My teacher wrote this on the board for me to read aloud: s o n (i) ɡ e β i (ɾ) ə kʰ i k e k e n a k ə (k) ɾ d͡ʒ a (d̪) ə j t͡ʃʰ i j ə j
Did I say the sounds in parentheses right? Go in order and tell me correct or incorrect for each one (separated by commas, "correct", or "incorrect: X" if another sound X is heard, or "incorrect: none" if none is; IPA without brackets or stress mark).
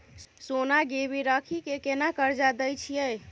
incorrect: a, correct, incorrect: none, correct